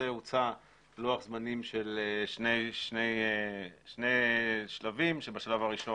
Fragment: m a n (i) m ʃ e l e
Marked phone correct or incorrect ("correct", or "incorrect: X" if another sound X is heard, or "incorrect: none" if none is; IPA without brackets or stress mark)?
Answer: correct